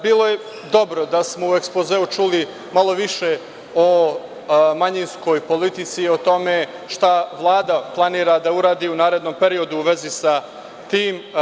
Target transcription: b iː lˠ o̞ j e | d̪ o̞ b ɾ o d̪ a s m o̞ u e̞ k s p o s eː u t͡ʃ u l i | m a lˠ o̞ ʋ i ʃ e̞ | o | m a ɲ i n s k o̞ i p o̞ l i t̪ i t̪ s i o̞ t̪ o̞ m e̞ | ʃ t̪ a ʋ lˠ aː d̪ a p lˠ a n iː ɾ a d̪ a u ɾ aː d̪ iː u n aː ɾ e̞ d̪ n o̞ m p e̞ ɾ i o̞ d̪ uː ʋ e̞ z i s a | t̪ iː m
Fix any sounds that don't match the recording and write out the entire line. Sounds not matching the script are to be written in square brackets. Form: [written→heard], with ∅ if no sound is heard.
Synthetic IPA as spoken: b iː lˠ o̞ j e | d̪ o̞ b ɾ o d̪ a s m o̞ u e̞ k s p o [s→z] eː u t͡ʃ u l i | m a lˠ o̞ ʋ i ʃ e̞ | o | m a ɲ i n s k o̞ [i→j] p o̞ l i t̪ i t̪ s i o̞ t̪ o̞ m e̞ | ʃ t̪ a ʋ lˠ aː d̪ a p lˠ a n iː ɾ a d̪ a u ɾ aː d̪ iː u n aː ɾ e̞ d̪ n o̞ m p e̞ ɾ i o̞ d̪ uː ʋ e̞ z i s a | t̪ iː m